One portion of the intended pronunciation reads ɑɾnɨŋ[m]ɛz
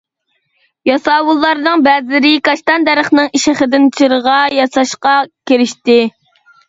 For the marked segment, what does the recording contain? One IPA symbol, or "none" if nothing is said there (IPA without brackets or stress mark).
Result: b